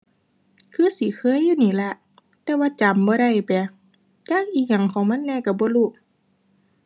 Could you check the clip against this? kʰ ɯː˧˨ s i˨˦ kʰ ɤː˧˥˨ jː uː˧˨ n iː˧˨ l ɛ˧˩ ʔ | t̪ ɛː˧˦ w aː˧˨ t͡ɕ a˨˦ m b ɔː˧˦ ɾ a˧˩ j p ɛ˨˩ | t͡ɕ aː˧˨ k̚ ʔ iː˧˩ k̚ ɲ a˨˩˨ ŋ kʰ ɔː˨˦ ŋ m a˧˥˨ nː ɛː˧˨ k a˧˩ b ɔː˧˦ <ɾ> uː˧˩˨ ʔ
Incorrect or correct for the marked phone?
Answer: incorrect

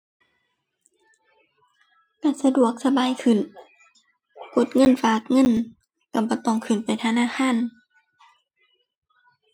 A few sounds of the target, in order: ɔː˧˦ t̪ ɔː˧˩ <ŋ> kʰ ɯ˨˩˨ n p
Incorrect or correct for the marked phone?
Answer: correct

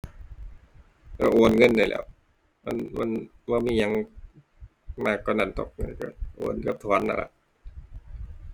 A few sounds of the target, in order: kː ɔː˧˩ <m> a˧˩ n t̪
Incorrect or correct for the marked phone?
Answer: incorrect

